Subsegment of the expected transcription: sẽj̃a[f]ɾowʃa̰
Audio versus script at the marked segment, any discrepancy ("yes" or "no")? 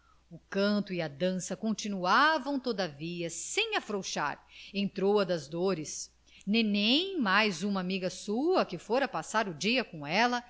no